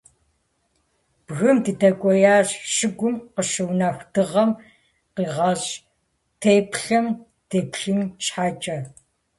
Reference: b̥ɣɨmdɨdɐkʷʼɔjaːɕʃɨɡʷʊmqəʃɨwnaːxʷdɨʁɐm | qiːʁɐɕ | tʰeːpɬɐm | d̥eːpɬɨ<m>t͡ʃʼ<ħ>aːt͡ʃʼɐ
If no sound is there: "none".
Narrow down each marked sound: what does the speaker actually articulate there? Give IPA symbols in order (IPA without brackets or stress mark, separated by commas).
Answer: m, ħ